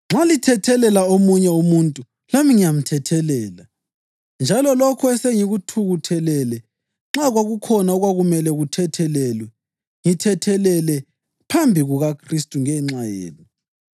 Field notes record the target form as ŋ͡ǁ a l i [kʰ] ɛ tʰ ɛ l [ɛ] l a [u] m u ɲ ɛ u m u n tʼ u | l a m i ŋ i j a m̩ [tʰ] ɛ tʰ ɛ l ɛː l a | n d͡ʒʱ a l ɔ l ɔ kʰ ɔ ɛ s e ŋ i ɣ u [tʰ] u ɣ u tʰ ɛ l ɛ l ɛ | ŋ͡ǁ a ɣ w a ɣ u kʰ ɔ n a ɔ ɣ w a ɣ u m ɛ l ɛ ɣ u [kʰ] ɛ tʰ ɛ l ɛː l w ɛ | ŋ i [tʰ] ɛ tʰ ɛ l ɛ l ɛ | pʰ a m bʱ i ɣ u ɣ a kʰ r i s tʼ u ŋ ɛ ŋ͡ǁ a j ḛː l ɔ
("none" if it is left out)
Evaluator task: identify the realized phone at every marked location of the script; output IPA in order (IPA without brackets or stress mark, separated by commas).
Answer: tʰ, ɛ, o, tʰ, tʰ, tʰ, tʰ